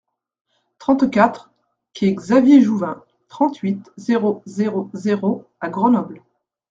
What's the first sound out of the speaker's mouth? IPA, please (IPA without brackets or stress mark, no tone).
t̪